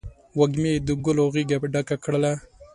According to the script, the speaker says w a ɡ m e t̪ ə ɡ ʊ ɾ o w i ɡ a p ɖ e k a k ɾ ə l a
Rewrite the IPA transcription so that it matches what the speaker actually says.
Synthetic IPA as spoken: w a ɡ m e d̪ ə ɡ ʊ l o ɣ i ɡ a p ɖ a k a k ɽ ə l a